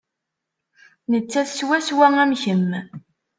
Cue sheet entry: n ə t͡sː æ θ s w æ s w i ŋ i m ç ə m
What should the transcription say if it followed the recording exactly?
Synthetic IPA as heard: n ə t͡sː æ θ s w æ s w æ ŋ æ m ç ə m